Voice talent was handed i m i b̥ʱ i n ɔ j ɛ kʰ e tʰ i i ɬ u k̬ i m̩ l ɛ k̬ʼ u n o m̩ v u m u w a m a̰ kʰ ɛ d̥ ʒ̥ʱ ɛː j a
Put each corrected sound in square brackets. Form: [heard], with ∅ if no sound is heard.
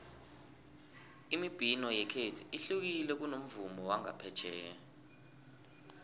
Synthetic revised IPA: i m i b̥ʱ i n ɔ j ɛ kʰ e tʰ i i ɬ u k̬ i [∅] l ɛ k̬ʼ u n o m̩ v u m [ɔ] w a [ŋ] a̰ [pʰ] ɛ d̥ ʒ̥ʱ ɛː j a